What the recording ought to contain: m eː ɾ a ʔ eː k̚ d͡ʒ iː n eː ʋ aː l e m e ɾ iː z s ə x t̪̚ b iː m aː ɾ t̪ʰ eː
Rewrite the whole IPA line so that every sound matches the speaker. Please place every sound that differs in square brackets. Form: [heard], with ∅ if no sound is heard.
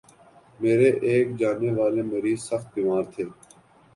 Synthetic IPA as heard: m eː ɾ [e] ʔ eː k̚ d͡ʒ [aː] n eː ʋ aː l e m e ɾ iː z s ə x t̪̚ b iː m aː ɾ t̪ʰ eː